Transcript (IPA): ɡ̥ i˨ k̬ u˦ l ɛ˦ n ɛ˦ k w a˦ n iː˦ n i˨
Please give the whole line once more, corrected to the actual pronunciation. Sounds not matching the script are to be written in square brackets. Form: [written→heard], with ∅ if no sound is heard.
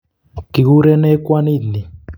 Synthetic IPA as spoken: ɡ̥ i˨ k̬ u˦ [l→ɾ] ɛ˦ n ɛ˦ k w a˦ n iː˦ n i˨